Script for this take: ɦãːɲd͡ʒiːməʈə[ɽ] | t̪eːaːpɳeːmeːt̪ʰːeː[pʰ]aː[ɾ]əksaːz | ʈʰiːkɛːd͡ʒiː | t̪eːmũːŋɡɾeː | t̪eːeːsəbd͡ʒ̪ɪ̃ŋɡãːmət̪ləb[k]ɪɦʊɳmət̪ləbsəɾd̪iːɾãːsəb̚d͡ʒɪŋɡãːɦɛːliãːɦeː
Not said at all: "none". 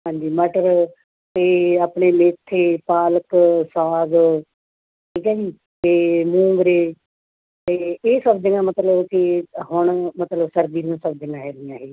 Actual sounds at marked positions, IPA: ɾ, p, l, k

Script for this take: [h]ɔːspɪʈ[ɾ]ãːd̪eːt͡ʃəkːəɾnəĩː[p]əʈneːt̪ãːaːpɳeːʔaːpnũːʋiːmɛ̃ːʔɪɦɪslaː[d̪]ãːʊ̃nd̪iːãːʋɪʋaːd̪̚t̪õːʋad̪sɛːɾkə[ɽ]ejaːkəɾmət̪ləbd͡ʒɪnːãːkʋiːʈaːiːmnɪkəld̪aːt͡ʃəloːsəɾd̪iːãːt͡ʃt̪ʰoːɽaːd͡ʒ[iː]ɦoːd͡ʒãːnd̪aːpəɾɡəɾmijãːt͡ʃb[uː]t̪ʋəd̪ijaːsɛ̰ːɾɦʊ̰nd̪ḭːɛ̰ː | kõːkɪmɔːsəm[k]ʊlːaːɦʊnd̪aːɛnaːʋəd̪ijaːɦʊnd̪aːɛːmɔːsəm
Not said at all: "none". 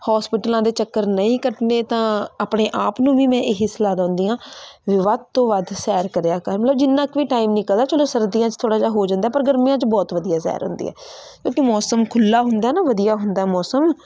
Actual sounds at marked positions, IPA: h, l, k, d̪, ɾ, aː, ɔː, kʰ

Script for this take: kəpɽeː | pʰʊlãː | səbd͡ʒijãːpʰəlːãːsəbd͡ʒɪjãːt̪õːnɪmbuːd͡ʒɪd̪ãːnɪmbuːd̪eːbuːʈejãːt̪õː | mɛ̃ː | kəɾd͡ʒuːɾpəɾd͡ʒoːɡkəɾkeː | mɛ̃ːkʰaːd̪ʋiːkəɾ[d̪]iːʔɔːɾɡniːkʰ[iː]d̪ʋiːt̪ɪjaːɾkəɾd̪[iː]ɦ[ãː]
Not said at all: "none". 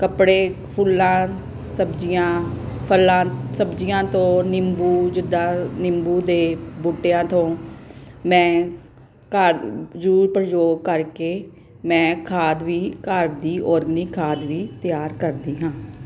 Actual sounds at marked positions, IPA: d̪, aː, iː, ãː

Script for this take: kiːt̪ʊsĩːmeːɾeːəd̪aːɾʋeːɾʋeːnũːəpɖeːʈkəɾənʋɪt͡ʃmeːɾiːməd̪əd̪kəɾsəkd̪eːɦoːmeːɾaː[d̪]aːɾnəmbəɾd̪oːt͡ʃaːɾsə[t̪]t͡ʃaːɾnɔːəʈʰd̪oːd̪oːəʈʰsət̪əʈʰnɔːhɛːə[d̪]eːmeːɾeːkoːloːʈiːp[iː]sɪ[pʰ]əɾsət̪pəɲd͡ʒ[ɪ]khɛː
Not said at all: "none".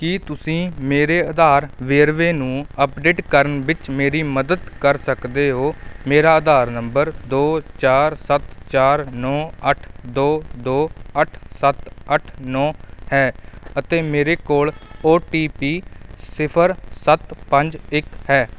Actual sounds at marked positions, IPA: d̪, t̪, t̪, iː, pʰ, ɪ

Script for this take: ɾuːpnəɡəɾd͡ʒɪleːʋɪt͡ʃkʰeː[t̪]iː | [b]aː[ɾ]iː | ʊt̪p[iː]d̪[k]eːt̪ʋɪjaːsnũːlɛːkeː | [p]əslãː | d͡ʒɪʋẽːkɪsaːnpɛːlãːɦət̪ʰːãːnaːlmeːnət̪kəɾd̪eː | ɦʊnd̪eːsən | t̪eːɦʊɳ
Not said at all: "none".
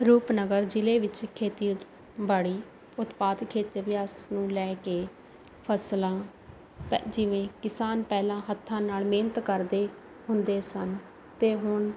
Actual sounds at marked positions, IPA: t̪, b, ɽ, aː, kʰ, pʰ

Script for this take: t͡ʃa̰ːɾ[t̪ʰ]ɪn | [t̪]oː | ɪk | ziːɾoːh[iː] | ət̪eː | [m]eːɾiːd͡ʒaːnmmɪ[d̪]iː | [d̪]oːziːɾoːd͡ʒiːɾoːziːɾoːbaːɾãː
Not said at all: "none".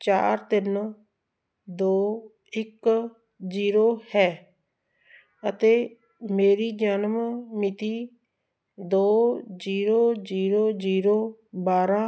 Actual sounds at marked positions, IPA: t̪, d̪, ɛː, m, t̪, d̪

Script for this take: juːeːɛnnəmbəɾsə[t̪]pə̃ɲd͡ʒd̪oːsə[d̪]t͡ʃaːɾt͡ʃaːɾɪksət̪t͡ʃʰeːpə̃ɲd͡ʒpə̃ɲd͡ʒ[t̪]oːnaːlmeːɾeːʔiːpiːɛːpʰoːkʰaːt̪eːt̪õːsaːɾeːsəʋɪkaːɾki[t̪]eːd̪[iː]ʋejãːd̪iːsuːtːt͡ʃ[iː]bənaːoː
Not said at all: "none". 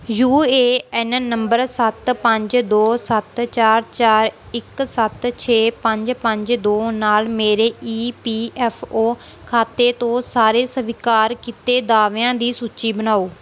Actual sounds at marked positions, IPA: t̪, t̪, d̪, t̪, aː, iː

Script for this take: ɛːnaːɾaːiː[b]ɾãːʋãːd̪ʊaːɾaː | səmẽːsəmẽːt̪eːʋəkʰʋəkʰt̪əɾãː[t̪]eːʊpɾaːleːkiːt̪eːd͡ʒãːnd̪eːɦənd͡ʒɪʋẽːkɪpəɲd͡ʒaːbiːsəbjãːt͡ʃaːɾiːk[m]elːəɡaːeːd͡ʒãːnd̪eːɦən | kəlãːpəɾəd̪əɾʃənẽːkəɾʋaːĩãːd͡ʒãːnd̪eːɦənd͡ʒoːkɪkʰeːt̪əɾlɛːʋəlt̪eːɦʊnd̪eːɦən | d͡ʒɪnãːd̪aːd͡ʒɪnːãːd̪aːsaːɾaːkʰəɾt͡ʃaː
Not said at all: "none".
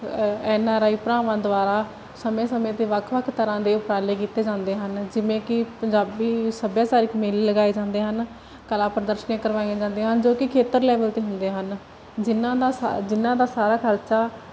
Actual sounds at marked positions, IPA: p, d̪, m

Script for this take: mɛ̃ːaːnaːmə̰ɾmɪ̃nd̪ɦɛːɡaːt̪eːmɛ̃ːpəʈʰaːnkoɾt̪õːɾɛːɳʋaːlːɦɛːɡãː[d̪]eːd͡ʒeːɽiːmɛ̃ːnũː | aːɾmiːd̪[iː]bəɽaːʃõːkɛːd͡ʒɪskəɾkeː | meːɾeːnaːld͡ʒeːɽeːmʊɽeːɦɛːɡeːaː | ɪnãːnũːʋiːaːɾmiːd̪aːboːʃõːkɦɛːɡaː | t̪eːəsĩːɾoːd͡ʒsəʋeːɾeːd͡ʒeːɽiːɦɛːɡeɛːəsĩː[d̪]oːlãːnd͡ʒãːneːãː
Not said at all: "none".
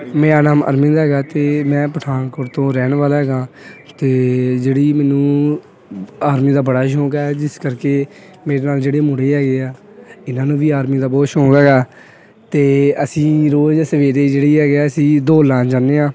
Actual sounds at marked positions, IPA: t̪, aː, d̪

